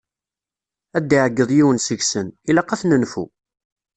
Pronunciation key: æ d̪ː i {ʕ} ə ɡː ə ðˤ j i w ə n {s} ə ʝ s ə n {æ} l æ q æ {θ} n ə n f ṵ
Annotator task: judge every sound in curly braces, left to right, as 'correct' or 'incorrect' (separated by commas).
correct, correct, incorrect, correct